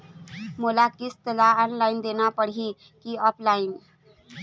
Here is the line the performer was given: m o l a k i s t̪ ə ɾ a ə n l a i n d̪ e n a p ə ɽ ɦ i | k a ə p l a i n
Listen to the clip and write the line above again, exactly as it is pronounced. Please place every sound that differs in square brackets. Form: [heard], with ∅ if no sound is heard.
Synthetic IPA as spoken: m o l a k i s t̪ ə [l] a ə n l a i n d̪ e n a p ə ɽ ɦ i | k [i] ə p l a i n